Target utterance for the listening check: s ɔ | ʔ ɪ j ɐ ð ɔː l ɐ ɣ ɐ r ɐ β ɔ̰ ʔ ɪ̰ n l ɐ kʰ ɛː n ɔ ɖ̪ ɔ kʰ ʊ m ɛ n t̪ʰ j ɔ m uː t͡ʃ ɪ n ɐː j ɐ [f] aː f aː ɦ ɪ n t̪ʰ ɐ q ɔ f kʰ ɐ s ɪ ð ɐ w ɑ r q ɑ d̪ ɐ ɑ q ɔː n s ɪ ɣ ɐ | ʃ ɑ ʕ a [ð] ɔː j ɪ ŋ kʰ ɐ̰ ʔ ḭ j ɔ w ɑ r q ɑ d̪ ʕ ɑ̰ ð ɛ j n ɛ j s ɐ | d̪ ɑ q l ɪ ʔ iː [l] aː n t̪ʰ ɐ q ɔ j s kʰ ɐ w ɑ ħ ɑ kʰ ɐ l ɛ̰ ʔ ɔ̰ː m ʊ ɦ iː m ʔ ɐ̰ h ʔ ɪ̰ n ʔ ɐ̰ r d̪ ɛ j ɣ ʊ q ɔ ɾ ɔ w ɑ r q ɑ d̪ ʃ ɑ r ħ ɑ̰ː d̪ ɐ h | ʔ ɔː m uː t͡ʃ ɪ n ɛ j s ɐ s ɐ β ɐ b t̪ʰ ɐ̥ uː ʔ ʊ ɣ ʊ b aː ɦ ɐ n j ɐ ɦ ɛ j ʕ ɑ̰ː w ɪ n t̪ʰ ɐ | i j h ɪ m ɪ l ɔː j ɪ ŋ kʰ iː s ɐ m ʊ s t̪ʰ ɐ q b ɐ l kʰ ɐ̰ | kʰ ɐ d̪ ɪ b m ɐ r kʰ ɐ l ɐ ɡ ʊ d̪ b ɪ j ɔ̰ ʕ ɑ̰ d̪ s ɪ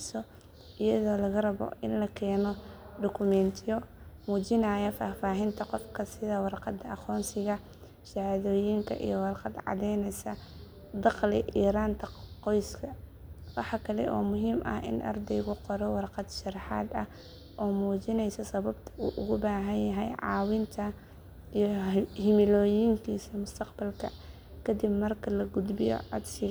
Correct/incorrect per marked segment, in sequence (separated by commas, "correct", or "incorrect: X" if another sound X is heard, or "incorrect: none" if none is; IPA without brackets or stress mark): correct, correct, incorrect: ɾ